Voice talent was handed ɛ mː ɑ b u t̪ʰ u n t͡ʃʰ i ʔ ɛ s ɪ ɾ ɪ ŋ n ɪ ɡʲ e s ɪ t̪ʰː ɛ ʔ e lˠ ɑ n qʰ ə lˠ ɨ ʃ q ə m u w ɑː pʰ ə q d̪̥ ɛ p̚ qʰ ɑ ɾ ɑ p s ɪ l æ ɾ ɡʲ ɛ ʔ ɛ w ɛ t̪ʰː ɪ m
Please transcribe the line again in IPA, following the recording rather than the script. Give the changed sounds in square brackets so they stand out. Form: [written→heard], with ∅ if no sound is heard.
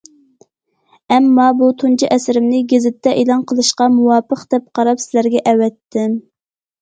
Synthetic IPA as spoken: ɛ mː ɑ b u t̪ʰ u n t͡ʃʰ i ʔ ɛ s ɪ ɾ ɪ [ŋ→m] n ɪ ɡʲ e [s→z] ɪ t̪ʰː ɛ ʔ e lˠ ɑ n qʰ ə lˠ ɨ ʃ q [ə→ɑ] m u w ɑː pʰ ə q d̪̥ ɛ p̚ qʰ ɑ ɾ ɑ p s ɪ l æ ɾ ɡʲ ɛ ʔ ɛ w ɛ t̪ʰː ɪ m